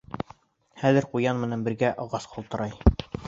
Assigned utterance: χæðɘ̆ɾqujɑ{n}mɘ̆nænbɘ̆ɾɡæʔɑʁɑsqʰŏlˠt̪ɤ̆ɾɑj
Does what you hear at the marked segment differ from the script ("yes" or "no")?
no